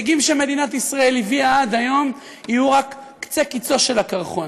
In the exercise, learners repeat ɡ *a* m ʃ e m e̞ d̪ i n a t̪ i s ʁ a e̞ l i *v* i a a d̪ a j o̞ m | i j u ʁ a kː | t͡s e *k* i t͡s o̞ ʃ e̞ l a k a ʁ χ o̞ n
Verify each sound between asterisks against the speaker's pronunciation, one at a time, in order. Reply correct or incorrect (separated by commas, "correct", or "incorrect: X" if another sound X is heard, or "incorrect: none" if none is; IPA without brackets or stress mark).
incorrect: i, correct, correct